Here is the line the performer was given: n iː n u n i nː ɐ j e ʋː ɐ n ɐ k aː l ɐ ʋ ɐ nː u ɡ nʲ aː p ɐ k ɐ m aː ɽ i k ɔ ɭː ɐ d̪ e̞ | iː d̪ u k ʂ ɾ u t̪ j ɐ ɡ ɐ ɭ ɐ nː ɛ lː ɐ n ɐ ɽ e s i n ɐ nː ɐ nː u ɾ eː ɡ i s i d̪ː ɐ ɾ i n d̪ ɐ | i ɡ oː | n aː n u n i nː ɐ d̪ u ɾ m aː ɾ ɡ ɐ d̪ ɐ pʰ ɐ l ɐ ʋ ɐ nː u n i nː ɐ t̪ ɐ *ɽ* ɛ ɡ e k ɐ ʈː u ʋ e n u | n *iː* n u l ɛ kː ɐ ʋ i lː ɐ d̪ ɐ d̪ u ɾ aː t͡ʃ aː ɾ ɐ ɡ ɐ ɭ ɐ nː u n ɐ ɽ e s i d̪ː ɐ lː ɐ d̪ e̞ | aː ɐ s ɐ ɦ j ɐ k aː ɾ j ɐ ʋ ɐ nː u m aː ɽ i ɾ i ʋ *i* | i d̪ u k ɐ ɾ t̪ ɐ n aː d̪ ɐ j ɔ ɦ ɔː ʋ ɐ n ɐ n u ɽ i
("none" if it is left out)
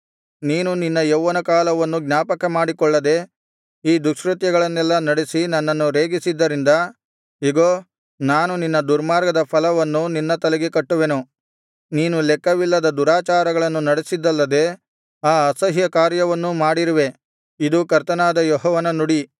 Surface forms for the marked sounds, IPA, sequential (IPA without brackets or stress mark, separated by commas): l, iː, e